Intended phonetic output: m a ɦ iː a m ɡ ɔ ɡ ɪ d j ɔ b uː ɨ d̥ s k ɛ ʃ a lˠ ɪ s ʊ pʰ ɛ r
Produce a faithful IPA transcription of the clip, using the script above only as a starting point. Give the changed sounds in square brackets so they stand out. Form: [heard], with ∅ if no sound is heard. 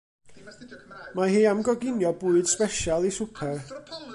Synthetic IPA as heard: m a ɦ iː a m ɡ ɔ ɡ ɪ [n] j ɔ b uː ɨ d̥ s [p] ɛ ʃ a lˠ [i] s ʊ pʰ ɛ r